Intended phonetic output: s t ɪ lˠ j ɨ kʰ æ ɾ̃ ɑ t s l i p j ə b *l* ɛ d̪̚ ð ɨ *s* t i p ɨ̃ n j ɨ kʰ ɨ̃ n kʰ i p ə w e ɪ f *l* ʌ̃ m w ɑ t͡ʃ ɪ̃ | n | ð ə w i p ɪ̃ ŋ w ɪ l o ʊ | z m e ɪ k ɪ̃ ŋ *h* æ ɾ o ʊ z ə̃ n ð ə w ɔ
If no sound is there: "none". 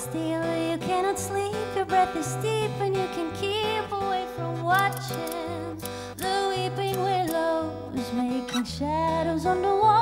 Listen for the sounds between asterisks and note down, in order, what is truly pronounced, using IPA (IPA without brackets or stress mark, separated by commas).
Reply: ɹ, s, ɹ, ʃ